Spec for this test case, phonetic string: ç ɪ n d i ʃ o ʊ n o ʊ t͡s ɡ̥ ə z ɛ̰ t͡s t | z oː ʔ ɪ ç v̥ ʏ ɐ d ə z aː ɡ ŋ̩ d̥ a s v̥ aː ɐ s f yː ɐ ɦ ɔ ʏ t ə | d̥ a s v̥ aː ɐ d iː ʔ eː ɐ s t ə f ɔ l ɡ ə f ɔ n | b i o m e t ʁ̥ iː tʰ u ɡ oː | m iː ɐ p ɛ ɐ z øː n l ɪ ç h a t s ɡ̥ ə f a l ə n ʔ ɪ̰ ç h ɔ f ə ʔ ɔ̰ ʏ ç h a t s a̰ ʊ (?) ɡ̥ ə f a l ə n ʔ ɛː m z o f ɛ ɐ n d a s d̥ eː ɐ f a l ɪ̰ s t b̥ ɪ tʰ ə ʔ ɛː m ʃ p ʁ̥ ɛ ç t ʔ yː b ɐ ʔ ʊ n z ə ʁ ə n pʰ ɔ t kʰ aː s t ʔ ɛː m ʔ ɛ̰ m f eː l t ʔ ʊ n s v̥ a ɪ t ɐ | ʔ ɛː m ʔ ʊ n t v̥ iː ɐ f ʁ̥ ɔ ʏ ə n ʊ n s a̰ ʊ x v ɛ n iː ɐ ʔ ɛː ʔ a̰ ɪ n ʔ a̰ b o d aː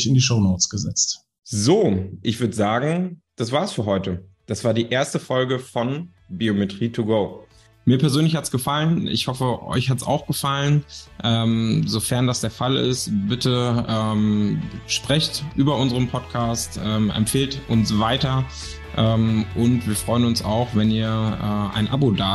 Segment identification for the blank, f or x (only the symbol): x